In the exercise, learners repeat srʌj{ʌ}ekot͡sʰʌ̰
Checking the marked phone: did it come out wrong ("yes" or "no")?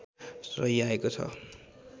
yes